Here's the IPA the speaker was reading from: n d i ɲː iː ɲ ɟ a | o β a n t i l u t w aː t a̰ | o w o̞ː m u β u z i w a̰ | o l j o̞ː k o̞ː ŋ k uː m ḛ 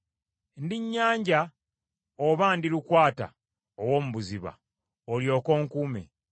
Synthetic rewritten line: n d i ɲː aː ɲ ɟ a | o β a n d i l u k w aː t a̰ | o w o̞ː m u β u z i β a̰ | o l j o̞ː k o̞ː ŋ k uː m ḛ